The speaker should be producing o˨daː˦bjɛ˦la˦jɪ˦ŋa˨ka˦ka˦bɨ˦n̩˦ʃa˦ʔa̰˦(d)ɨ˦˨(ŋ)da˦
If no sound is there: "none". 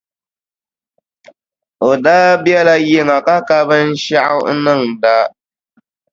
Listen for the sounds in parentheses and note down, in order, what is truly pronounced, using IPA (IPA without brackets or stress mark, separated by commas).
n, ŋ